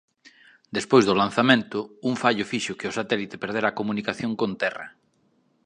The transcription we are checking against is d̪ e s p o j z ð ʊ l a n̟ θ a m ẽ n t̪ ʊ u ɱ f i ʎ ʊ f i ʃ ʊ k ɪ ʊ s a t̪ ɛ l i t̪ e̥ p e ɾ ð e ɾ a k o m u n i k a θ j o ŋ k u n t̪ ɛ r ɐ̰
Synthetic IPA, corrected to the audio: d̪ e s p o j z ð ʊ l a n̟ θ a m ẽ n t̪ ʊ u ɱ f a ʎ ʊ f i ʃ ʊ k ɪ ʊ s a t̪ ɛ l i t̪ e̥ p e ɾ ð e ɾ a k o m u n i k a θ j o ŋ k o n t̪ ɛ r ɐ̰